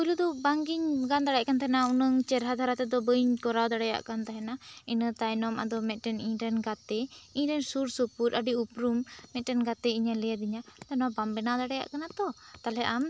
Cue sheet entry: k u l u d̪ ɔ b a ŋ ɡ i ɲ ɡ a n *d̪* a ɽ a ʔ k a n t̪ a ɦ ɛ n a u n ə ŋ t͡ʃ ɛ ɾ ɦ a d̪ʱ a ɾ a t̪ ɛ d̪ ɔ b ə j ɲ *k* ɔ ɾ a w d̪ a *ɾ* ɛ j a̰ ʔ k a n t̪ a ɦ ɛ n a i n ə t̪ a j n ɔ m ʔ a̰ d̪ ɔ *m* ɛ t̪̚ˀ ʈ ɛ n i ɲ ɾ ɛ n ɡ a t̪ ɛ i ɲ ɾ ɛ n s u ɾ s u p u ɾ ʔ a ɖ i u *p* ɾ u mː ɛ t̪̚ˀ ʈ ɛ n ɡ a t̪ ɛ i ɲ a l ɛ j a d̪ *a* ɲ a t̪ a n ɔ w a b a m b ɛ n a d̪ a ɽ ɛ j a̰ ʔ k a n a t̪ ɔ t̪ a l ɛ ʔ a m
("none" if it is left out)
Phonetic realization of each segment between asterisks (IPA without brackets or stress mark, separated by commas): d̪, k, ɽ, m, p, i